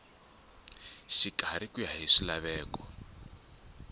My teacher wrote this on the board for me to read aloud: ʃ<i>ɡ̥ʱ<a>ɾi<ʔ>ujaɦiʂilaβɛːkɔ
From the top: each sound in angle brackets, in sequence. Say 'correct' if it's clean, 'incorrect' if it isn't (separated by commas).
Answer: correct, correct, incorrect